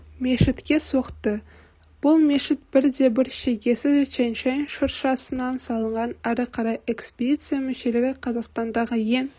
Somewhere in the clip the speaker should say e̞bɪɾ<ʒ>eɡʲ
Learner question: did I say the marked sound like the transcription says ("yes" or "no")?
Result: no